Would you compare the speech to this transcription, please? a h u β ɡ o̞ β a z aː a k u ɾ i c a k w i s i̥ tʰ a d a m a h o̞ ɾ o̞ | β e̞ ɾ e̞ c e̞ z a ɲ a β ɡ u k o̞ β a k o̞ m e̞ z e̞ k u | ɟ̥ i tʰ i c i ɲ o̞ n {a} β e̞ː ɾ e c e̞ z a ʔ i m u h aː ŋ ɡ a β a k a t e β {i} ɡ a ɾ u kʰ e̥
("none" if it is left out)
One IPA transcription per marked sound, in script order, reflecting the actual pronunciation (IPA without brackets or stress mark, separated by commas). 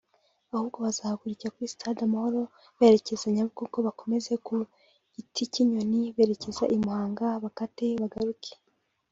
i, a